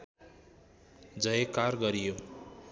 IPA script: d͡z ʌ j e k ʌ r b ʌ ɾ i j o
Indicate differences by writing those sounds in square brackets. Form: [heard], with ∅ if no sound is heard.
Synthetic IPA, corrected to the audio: d͡z ʌ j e k [a] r [ɡ] ʌ ɾ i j o

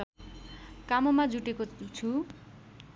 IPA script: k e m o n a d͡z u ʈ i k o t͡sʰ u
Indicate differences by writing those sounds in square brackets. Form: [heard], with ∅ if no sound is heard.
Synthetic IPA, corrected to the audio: k [a] m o [m] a d͡z u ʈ [e] k o t͡sʰ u

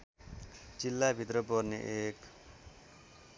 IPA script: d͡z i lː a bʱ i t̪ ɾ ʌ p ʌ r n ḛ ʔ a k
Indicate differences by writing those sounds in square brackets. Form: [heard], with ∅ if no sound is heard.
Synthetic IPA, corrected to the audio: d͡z i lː a bʱ i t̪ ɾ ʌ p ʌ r n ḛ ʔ [e] k

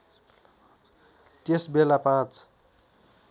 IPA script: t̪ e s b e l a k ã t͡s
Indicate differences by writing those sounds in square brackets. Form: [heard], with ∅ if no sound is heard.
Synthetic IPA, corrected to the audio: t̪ e s b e l a [p] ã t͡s

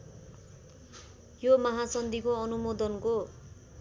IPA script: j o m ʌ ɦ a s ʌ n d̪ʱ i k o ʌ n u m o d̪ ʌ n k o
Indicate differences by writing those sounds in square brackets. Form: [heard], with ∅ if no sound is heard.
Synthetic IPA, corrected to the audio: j o m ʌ ɦ a s ʌ n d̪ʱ i k o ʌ n u m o d̪ ʌ n k o

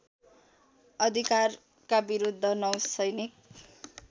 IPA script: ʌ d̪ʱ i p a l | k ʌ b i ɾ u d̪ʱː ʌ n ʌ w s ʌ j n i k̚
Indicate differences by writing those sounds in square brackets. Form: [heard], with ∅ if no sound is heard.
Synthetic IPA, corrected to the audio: ʌ d̪ʱ i [k] a [r] | k [a] b i ɾ u d̪ʱː ʌ n ʌ w s ʌ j n i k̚

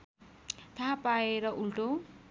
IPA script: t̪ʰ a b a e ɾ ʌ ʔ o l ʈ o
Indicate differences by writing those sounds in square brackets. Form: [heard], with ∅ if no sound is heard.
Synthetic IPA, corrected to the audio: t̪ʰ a [p] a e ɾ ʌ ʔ [u] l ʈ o

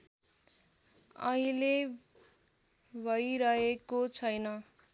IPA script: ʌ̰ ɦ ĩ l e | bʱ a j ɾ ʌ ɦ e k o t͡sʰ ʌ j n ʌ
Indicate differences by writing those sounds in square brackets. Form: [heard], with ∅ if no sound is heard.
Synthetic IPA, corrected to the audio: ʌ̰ ɦ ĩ l e | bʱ [ʌ] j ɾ ʌ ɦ e k o t͡sʰ ʌ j n ʌ

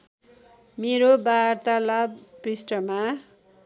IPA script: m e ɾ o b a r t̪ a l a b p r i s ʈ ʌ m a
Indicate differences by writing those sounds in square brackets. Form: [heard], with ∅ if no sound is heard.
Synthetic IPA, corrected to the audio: m e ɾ o b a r t̪ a l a b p r i s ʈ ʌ m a

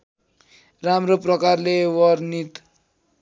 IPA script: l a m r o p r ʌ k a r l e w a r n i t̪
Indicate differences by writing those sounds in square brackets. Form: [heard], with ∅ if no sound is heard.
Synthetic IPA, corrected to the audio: [r] a m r o p r ʌ k a r l e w [ʌ] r n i t̪

